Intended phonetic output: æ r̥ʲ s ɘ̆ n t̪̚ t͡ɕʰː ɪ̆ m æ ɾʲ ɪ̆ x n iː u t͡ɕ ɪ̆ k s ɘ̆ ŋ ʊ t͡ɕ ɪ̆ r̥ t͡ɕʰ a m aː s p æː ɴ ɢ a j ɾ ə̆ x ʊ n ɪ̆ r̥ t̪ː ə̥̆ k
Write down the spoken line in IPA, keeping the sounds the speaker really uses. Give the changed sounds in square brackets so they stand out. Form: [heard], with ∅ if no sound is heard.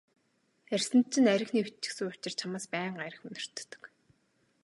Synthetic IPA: æ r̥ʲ s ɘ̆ n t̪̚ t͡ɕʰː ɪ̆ [n] æ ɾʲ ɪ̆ x n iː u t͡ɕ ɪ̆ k s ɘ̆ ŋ ʊ t͡ɕ ɪ̆ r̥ t͡ɕʰ a m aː s p æː ɴ ɢ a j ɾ ə̆ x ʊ n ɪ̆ r̥ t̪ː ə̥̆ k